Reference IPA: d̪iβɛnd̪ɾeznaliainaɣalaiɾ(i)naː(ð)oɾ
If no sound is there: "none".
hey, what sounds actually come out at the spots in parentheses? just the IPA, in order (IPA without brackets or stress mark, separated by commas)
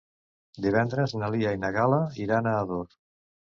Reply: a, ð